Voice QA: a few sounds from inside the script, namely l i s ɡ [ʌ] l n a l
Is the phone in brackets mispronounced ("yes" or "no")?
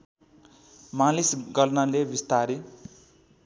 no